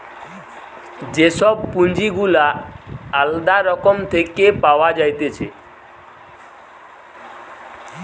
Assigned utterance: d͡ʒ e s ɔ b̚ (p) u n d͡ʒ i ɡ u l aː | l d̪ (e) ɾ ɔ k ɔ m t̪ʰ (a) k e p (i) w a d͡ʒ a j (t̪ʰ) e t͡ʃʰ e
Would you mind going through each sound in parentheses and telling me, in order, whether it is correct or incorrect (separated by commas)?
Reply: correct, incorrect, incorrect, incorrect, incorrect